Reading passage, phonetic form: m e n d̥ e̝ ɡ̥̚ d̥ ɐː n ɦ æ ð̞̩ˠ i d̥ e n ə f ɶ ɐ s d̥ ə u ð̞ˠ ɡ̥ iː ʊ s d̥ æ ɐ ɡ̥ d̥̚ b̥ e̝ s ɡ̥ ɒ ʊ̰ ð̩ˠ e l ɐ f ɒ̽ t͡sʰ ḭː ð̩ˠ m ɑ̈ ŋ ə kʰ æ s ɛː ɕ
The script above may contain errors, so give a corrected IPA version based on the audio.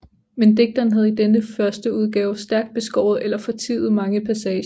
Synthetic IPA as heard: m e n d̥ e̝ ɡ̥̚ d̥ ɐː n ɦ æ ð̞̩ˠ i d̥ e n ə f ɶ ɐ s d̥ ə u ð̞ˠ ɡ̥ ɛː ʊ s d̥ æ ɐ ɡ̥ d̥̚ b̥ e̝ s ɡ̥ ɒ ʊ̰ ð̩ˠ e l ɐ f ɒ̽ t͡sʰ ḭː ð̩ˠ m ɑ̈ ŋ ə pʰ æ s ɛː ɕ